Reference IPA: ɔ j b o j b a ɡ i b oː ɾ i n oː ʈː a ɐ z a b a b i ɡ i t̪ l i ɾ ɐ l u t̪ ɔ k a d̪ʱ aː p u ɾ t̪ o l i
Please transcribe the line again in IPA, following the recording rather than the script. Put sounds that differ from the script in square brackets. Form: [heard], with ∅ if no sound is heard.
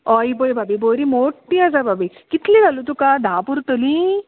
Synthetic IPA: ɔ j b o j b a [b] i b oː ɾ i [m] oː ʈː [i] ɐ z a b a b i [k] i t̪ l i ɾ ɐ l u t̪ [u] k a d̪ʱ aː p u ɾ t̪ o l i